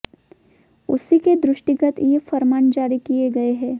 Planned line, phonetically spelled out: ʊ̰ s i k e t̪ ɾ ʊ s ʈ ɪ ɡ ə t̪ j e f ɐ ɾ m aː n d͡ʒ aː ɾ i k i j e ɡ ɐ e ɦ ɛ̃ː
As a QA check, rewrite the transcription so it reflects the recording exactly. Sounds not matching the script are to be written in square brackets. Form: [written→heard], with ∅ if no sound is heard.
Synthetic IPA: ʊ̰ s i k e [t̪→d̪] ɾ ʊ [s→ʃ] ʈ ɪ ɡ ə t̪ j e f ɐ ɾ m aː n d͡ʒ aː ɾ i k i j e ɡ ɐ e ɦ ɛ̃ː

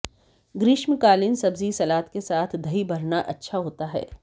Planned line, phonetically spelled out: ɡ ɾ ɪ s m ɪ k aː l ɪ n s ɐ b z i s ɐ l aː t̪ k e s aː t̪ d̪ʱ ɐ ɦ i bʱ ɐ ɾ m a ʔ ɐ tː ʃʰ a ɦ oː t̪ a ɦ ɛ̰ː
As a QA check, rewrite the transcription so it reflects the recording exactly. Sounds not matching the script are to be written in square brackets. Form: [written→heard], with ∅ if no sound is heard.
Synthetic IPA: ɡ ɾ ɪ [s→ʃ] m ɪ k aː l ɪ n s ɐ b z i s ɐ l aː t̪ k e s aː [t̪→t̪ʰ] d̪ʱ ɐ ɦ i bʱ ɐ ɾ [m→n] a ʔ ɐ tː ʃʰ a ɦ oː t̪ a ɦ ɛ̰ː

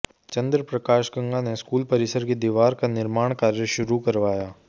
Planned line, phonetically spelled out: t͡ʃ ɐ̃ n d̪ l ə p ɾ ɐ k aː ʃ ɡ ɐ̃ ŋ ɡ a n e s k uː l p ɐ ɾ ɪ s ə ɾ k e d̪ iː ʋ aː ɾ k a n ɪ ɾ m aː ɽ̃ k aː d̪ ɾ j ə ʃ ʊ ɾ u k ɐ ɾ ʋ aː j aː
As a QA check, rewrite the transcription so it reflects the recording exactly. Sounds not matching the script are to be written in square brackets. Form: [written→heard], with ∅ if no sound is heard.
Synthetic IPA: t͡ʃ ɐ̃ n d̪ [l→ɾ] ə p ɾ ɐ k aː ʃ ɡ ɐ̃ ŋ ɡ a n e s k uː l p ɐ ɾ ɪ s ə ɾ k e d̪ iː ʋ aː ɾ k a n ɪ ɾ m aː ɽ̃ k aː [d̪→∅] ɾ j ə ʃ ʊ ɾ u k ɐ ɾ ʋ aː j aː

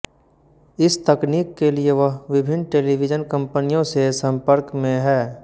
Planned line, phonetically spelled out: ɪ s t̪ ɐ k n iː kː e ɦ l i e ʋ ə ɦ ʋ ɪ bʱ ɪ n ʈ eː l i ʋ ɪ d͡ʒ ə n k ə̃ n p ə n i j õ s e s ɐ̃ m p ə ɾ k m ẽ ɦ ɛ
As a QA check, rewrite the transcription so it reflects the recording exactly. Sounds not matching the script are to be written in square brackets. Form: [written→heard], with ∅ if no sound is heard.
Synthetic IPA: ɪ s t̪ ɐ k n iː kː e [ɦ→∅] l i e ʋ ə ɦ ʋ ɪ bʱ ɪ n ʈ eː l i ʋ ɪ d͡ʒ ə n k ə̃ [n→m] p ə n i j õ s e s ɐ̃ m p ə ɾ k m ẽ ɦ [ɛ→ɛː]

